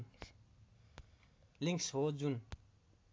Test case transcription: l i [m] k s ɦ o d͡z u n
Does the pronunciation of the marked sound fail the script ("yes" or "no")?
yes